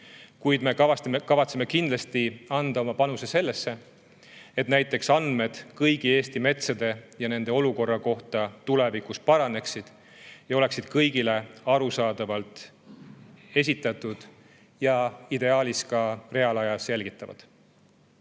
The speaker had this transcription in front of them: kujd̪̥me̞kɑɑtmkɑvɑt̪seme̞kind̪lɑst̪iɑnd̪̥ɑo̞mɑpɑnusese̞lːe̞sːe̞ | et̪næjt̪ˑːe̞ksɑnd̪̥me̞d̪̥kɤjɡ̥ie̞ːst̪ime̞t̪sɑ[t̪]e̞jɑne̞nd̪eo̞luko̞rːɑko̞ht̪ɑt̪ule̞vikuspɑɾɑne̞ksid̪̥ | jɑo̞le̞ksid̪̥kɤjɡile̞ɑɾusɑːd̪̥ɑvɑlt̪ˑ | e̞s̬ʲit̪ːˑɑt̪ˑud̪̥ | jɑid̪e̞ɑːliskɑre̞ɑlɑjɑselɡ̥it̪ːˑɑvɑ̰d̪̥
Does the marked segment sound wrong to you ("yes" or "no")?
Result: yes